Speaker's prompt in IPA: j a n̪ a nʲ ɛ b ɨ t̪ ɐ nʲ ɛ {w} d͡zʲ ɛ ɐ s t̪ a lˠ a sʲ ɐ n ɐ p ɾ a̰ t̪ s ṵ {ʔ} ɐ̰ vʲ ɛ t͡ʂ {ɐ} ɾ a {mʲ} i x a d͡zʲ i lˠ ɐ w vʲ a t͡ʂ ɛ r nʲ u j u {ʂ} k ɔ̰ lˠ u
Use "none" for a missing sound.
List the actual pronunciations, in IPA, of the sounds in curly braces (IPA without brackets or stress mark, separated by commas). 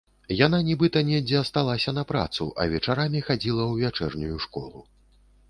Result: none, ʔ, a, mʲ, ʂ